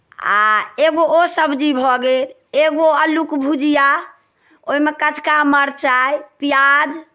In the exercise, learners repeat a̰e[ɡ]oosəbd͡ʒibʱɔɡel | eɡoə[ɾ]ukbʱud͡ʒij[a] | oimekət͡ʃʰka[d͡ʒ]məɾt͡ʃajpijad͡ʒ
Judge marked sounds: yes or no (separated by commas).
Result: yes, no, yes, no